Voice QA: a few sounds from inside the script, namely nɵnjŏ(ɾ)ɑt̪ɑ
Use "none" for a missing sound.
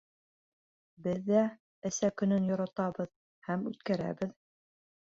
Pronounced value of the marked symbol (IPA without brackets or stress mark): ɾ